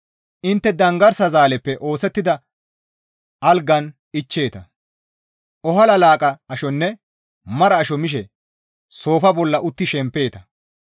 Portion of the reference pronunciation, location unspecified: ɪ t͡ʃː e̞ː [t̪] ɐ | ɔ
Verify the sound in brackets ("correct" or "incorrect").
correct